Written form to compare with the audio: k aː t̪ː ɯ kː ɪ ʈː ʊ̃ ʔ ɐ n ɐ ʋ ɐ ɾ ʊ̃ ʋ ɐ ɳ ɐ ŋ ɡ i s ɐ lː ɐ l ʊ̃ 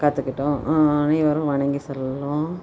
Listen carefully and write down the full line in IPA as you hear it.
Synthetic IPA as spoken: k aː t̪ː ɯ kː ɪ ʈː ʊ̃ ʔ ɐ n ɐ ʋ ɐ ɾ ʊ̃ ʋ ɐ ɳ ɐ ŋ ɡ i s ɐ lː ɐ l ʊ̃